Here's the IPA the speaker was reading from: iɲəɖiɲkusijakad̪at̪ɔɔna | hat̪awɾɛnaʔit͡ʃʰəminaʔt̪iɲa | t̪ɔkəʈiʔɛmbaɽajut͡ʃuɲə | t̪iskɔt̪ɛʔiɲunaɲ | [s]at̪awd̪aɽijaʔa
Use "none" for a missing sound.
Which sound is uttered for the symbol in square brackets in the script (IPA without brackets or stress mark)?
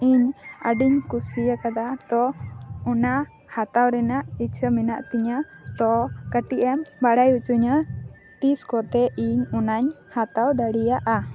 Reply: h